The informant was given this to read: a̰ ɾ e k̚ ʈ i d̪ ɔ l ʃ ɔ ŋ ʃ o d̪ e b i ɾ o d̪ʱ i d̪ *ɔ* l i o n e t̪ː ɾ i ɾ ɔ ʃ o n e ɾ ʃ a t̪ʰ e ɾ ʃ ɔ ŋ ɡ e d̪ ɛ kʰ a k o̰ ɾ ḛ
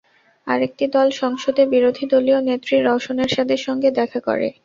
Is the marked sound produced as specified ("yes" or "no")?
no